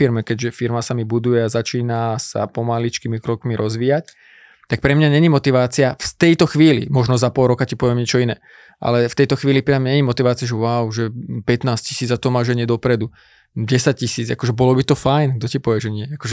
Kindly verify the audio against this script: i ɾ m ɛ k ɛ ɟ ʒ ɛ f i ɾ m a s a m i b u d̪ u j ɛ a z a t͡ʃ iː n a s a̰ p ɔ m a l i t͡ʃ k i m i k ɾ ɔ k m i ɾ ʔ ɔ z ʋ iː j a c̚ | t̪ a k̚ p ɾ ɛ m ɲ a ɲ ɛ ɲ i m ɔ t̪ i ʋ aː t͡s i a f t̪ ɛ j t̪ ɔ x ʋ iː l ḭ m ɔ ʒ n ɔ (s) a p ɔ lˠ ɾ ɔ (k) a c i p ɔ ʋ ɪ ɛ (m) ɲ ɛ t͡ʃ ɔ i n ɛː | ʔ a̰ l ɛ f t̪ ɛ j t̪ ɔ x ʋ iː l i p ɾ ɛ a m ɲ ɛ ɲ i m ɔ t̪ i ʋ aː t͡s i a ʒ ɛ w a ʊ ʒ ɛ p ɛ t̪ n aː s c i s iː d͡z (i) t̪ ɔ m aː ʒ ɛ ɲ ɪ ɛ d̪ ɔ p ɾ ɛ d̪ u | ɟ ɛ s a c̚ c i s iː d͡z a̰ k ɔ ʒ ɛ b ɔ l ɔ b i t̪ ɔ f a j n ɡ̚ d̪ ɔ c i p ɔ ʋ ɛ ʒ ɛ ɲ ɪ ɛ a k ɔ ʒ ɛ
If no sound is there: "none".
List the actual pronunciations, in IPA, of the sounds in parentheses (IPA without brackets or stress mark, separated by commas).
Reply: z, k, m, a